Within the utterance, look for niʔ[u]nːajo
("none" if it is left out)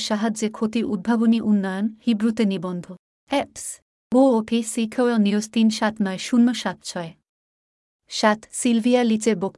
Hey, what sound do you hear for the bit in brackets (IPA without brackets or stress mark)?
u